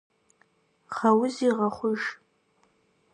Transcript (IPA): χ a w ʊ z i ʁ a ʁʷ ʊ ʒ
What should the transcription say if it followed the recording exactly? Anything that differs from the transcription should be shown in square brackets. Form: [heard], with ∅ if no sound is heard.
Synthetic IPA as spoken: χ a w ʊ z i ʁ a [χʷ] ʊ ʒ